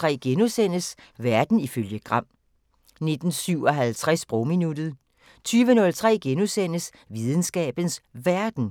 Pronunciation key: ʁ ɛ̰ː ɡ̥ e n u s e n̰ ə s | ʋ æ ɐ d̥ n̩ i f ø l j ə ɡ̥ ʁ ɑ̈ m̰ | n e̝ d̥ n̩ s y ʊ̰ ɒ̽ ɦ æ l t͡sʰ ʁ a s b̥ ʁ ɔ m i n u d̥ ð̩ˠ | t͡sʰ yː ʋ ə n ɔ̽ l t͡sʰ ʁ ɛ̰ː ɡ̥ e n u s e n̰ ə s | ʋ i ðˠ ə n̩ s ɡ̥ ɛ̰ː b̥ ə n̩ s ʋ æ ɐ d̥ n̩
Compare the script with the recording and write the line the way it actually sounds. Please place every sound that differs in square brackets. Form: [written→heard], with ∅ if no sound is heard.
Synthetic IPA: ʁ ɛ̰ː ɡ̥ e n u s e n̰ ə s | ʋ æ ɐ d̥ n̩ i f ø l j ə ɡ̥ ʁ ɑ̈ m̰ | n e̝ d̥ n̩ s y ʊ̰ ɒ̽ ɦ æ l t͡sʰ ʁ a s b̥ ʁ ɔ m i n u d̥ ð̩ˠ | t͡sʰ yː ʋ ə n ɔ̽ l t͡sʰ ʁ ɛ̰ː ɡ̥ e n u s e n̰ ə s | ʋ i ðˠ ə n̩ s ɡ̥ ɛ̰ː b̥ ə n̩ s ʋ æ ɐ d̥ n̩

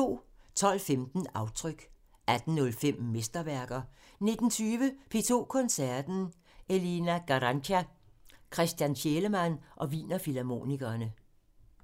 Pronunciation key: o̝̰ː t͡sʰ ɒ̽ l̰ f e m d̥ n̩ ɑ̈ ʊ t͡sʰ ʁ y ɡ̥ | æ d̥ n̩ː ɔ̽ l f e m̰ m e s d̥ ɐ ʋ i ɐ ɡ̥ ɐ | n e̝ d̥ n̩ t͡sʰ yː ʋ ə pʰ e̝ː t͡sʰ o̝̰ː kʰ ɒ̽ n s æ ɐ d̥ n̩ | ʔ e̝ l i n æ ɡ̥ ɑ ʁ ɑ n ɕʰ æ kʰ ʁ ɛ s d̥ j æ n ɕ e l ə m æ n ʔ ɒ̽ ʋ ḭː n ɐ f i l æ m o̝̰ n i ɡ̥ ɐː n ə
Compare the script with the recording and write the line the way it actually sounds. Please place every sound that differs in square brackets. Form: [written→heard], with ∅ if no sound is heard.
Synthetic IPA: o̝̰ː t͡sʰ ɒ̽ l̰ f e m d̥ n̩ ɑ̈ ʊ t͡sʰ ʁ [y→œ] ɡ̥ | æ d̥ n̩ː ɔ̽ l f e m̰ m e s d̥ ɐ ʋ [i→æ] ɐ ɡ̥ ɐ | n e̝ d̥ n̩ t͡sʰ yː ʋ ə pʰ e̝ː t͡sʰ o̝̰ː kʰ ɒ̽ n s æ ɐ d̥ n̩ | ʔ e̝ l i n æ ɡ̥ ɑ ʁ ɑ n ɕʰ æ kʰ ʁ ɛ s d̥ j æ n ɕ e l ə m æ n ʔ ɒ̽ ʋ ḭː n ɐ f i l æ m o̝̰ n i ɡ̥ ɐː n ə

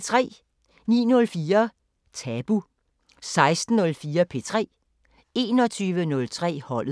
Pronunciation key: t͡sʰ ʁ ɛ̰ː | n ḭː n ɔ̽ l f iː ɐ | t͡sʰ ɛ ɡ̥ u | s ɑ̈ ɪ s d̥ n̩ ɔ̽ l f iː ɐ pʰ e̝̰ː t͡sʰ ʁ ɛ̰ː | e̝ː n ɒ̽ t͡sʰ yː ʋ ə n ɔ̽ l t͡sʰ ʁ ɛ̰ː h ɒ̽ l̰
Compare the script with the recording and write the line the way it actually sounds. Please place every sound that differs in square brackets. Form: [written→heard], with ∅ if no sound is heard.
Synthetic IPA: t͡sʰ ʁ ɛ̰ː | n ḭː n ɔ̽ l f iː ɐ | t͡sʰ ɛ [ɡ̥→b̥] u | s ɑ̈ ɪ s d̥ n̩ ɔ̽ l f iː ɐ pʰ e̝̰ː t͡sʰ ʁ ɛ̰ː | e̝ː n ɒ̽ t͡sʰ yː ʋ ə n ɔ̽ l t͡sʰ ʁ ɛ̰ː h ɒ̽ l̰

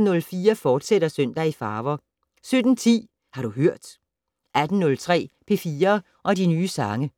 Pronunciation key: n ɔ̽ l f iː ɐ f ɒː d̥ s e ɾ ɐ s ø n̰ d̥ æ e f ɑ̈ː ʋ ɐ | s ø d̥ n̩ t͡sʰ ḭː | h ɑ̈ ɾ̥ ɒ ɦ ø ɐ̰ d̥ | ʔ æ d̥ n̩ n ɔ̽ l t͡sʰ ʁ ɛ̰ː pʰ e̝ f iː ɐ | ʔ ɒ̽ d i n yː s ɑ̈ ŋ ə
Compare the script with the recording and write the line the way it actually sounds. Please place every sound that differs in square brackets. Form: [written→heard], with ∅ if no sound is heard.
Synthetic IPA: n ɔ̽ l f iː ɐ f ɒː d̥ s e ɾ ɐ s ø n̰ d̥ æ [e→i] f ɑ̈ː ʋ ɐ | s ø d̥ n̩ t͡sʰ ḭː | h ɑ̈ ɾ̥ [ɒ→u] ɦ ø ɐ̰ d̥ | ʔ æ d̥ n̩ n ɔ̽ l t͡sʰ ʁ ɛ̰ː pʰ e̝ f iː ɐ | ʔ ɒ̽ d i n yː s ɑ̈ ŋ ə

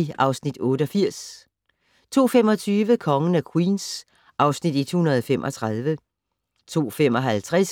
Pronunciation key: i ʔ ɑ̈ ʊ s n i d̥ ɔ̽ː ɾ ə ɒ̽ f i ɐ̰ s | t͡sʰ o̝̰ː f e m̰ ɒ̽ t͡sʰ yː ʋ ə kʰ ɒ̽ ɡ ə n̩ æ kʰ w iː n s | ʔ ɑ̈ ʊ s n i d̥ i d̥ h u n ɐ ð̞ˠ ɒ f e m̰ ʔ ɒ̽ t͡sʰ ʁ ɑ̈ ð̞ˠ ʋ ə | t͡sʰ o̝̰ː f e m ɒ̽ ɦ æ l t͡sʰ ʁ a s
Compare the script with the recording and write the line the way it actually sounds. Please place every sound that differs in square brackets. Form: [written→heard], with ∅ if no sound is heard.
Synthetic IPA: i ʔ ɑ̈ ʊ s n i d̥ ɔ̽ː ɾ ə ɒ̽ f i ɐ̰ s | t͡sʰ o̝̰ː f e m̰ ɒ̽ t͡sʰ yː ʋ ə kʰ ɒ̽ [ɡ→ŋ] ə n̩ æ kʰ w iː n s | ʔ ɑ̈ ʊ s n i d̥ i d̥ h u n ɐ ð̞ˠ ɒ f e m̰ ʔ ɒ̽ t͡sʰ ʁ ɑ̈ ð̞ˠ ʋ ə | t͡sʰ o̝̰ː f e m ɒ̽ ɦ æ l t͡sʰ ʁ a s

